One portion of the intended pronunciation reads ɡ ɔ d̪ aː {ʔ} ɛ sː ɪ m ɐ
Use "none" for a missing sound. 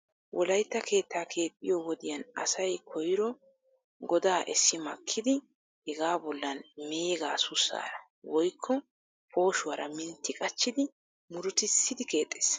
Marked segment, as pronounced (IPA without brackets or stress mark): ʔ